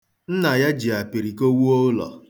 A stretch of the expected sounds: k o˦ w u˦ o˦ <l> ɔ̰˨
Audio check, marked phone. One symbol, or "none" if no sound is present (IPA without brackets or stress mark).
l